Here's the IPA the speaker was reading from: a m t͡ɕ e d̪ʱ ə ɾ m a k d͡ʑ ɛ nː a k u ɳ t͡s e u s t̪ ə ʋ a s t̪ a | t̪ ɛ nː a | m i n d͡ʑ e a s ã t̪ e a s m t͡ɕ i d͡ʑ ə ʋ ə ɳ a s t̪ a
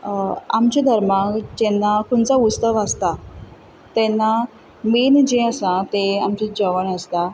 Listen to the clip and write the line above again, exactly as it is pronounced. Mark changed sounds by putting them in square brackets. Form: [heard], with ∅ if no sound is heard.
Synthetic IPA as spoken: a m t͡ɕ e d̪ʱ ə ɾ m a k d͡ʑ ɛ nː a k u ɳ t͡s [a] u s t̪ ə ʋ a s t̪ a | t̪ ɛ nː a | m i n d͡ʑ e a s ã t̪ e a [∅] m t͡ɕ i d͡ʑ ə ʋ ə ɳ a s t̪ a